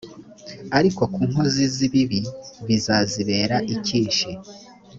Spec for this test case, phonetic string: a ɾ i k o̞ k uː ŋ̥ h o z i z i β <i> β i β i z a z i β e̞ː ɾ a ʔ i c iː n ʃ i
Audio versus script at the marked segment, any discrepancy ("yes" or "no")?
no